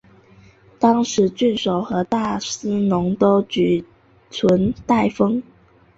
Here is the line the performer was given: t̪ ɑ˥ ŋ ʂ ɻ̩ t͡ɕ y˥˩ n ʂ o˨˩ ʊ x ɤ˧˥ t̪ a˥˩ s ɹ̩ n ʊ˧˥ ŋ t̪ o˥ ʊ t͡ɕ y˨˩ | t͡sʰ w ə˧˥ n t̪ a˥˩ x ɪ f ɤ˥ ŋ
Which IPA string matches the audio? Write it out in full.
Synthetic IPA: t̪ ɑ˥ ŋ ʂ ɻ̩ t͡ɕ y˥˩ n ʂ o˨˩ ʊ x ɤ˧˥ t̪ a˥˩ s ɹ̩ n ʊ˧˥ ŋ t̪ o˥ ʊ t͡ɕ y˨˩ | t͡sʰ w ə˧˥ n t̪ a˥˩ ɪ f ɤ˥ ŋ